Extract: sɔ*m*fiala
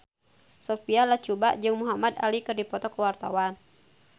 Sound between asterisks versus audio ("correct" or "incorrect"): incorrect